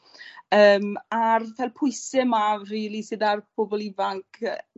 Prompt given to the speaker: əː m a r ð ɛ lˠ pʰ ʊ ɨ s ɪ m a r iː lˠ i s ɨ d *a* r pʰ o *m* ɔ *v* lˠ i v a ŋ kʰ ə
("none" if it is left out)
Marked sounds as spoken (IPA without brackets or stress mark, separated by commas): a, b, none